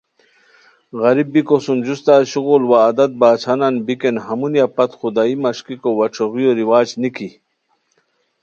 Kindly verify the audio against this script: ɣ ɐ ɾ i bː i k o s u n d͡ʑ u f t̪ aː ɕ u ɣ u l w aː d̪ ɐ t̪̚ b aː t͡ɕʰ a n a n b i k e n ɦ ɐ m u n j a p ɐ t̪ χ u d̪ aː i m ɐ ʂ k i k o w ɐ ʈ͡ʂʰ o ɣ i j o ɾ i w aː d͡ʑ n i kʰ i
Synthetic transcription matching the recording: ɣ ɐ ɾ i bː i k o s u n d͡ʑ u s t̪ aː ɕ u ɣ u l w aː d̪ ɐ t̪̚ b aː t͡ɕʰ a n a n b i k e n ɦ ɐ m u n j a p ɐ t̪ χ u d̪ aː i m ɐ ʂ k i k o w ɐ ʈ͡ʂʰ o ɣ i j o ɾ i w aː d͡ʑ n i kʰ i